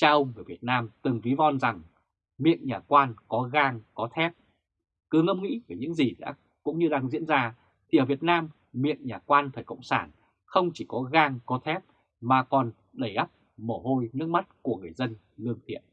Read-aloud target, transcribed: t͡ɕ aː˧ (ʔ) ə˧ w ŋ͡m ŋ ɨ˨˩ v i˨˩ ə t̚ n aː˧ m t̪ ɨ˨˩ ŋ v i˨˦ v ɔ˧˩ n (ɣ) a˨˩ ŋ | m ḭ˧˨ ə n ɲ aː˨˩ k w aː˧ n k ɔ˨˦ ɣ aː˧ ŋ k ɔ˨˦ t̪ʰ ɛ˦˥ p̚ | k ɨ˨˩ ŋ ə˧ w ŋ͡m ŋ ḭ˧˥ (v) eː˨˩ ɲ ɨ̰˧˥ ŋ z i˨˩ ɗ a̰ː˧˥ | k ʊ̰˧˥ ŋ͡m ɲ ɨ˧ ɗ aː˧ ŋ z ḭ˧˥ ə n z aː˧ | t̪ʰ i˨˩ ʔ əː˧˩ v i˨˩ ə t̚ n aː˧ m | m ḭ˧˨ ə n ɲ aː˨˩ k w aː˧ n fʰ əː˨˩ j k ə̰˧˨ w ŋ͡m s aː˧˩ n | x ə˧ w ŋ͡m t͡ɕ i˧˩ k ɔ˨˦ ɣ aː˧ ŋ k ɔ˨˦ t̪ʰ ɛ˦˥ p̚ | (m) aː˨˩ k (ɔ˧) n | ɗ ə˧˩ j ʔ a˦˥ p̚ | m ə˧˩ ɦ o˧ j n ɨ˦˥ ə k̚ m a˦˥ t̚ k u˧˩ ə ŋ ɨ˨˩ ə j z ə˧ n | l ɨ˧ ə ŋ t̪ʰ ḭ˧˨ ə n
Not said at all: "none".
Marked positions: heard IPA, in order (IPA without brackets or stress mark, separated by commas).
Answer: ʔ, z, v, m, ɔ˨˩